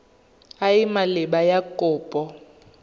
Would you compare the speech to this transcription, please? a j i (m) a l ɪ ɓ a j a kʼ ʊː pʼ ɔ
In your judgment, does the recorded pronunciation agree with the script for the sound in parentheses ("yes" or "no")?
yes